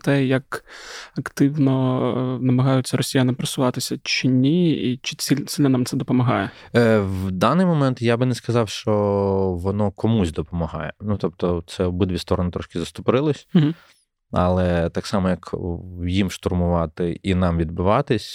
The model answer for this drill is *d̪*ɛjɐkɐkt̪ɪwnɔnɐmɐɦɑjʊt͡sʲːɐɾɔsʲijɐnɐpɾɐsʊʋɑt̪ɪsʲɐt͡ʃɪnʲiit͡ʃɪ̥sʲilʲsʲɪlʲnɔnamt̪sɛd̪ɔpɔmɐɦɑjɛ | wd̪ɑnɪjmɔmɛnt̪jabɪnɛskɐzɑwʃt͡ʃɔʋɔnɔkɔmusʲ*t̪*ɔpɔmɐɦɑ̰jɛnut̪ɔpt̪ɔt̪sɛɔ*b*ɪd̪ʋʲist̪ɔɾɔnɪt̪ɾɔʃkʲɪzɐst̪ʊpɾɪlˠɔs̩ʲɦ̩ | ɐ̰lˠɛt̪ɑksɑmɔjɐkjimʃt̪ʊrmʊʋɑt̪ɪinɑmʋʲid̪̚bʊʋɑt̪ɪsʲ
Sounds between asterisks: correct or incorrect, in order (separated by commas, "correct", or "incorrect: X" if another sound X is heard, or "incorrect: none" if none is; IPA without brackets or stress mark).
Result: incorrect: t̪, incorrect: d̪, correct